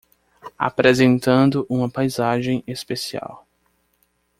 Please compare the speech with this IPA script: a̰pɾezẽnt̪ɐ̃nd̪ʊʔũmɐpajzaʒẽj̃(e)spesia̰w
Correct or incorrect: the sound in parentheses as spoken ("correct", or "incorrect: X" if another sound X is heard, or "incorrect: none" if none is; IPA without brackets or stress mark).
correct